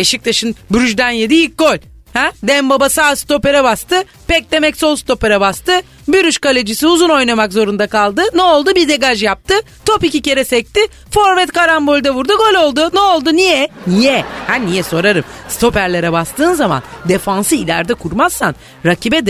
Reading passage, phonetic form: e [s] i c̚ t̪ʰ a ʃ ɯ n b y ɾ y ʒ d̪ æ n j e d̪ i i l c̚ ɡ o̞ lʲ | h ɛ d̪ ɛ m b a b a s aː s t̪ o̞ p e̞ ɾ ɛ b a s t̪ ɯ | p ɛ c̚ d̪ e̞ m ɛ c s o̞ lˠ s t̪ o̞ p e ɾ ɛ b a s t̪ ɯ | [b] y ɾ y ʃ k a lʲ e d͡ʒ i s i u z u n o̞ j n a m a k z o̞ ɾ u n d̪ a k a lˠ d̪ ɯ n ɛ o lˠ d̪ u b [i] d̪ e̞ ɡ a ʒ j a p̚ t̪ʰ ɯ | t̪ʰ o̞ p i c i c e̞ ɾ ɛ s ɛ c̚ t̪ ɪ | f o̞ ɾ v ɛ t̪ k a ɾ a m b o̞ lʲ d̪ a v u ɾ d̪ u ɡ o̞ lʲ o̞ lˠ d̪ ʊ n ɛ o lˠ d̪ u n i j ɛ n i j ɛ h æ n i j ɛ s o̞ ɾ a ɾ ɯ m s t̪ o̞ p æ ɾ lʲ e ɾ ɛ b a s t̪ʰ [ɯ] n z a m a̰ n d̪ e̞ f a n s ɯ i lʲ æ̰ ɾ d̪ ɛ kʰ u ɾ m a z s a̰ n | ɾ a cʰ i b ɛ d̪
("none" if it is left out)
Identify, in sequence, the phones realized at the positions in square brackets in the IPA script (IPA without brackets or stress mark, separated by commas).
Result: ʃ, b, i, ɯː